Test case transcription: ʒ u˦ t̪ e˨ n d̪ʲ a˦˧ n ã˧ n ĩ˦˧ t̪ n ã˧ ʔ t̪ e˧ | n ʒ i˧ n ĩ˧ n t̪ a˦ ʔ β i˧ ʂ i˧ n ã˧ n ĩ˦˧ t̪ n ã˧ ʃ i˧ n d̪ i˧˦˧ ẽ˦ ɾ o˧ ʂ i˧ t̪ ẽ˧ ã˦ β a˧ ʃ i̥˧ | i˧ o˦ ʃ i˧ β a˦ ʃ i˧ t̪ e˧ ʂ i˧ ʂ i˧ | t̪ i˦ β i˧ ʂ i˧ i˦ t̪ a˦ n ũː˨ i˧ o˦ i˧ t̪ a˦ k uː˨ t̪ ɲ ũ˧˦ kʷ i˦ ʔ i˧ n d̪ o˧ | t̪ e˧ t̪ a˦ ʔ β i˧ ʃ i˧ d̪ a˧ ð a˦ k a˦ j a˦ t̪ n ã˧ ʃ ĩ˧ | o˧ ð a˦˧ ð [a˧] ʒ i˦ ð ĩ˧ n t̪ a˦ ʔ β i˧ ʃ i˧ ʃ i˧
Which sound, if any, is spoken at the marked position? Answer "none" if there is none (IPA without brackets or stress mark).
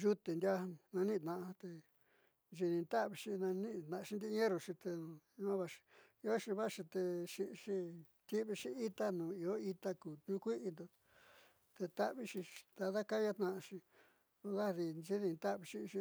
i˧